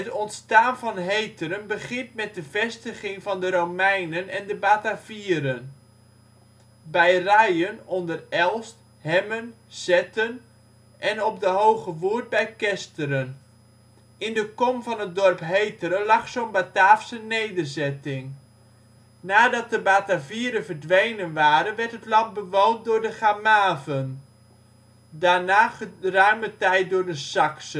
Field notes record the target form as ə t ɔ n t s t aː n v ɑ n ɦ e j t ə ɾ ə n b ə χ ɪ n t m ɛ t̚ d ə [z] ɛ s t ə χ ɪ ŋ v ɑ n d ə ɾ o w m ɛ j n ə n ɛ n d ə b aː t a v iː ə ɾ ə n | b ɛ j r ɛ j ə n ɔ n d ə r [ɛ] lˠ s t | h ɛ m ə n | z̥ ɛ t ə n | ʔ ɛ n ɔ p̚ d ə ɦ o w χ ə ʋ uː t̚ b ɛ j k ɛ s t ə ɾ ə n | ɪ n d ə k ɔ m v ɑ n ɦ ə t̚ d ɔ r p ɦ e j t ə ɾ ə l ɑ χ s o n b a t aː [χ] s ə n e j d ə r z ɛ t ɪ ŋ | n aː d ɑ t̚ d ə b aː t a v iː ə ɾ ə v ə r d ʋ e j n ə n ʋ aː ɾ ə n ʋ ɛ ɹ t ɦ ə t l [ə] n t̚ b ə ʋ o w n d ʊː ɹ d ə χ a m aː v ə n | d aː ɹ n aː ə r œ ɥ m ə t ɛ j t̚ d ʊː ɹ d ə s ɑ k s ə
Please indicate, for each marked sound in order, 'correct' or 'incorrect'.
incorrect: v, correct, incorrect: f, incorrect: ɑ

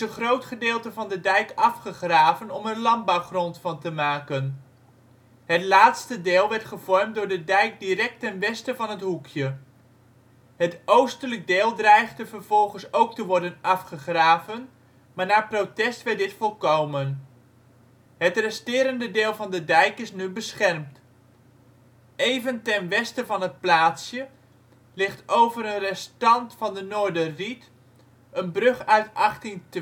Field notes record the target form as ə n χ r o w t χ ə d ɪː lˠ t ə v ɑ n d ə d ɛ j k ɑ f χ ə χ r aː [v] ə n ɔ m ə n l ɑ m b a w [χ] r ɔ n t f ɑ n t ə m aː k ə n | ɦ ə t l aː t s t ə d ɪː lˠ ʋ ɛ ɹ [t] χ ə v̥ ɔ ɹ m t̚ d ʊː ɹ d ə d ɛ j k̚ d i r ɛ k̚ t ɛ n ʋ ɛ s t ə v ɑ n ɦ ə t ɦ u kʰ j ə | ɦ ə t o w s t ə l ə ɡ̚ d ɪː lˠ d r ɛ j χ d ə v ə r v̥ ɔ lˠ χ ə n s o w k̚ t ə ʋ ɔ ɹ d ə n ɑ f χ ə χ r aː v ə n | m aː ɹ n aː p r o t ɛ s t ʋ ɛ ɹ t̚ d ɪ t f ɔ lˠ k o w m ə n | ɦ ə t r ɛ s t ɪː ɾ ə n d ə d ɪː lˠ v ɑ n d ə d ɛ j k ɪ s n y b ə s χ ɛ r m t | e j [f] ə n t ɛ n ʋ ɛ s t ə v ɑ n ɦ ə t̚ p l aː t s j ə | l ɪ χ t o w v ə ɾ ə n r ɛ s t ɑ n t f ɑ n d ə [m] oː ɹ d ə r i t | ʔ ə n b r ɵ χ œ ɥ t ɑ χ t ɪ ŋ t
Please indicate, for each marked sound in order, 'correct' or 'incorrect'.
correct, correct, correct, incorrect: v, incorrect: n

